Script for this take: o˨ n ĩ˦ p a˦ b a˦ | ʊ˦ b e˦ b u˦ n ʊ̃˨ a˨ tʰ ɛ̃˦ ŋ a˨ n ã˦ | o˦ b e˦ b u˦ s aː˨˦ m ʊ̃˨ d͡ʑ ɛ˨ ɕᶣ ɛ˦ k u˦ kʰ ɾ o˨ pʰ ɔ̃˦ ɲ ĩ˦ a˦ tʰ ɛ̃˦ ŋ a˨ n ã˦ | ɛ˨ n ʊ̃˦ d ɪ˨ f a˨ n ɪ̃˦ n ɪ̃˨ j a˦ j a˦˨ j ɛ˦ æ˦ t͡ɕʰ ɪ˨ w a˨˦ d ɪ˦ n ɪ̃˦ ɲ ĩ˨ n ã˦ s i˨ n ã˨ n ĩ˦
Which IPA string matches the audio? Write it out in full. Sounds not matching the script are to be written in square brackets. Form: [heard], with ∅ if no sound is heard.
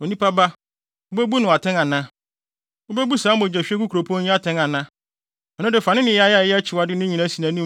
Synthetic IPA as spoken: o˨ n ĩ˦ p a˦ b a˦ | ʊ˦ b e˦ b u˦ n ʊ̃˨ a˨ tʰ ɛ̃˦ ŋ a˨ n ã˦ | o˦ b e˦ b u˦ s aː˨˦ m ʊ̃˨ d͡ʑ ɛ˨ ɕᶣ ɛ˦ k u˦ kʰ ɾ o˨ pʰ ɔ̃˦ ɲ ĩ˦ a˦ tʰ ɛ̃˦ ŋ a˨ n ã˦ | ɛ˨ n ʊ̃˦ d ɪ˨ f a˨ n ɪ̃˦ n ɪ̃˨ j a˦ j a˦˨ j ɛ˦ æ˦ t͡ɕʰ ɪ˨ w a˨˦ d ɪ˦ n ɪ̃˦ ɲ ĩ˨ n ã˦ s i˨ n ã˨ n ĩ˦

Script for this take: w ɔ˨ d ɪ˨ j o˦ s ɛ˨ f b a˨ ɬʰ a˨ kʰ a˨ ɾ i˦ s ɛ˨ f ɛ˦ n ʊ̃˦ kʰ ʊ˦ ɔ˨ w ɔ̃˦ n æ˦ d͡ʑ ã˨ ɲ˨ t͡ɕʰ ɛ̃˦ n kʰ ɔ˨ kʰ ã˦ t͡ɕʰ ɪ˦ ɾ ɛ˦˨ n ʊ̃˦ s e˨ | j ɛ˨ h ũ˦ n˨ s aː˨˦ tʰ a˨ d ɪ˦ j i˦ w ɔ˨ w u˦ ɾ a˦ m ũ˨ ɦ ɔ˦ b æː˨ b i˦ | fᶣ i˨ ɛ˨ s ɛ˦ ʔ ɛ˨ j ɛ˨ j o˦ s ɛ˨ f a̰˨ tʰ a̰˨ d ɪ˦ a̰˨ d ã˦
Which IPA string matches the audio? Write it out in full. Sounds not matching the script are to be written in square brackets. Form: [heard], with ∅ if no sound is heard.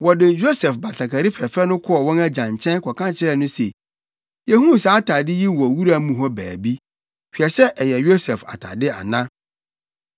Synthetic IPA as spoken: w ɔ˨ d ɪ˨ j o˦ s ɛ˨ f b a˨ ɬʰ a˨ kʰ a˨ ɾ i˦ [f] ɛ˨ f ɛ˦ n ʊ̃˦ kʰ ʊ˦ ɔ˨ w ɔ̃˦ n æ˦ d͡ʑ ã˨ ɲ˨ t͡ɕʰ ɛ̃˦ n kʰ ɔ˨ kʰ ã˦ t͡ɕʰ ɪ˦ ɾ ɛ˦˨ n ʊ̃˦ s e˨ | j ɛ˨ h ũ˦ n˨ s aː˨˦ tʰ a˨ d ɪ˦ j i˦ w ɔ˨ w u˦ ɾ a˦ m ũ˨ ɦ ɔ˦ b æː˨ b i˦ | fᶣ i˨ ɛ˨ s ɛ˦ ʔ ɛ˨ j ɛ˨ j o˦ s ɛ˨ f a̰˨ tʰ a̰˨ d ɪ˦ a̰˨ [n] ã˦

